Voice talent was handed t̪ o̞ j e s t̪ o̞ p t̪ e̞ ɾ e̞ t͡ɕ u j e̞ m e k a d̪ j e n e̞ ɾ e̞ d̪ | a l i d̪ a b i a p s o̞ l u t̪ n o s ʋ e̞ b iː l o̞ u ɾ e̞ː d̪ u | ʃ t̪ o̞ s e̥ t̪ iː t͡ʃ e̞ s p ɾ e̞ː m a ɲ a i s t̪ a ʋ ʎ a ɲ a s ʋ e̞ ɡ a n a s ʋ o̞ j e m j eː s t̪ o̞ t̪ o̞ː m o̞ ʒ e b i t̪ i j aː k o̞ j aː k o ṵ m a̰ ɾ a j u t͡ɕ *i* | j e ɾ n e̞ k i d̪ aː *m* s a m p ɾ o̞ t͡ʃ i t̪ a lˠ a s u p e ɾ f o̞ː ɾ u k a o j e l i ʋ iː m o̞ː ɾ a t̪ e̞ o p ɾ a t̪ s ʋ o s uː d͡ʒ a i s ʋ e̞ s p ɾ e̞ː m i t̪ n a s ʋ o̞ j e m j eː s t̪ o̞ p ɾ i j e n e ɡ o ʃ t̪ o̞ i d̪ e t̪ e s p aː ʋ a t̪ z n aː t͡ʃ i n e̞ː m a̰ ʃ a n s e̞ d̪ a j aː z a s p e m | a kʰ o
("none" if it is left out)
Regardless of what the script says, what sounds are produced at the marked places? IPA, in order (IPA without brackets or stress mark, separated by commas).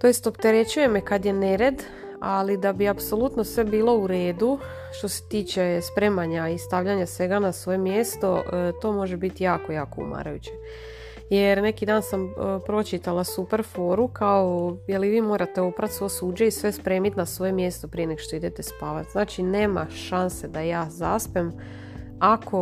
e, n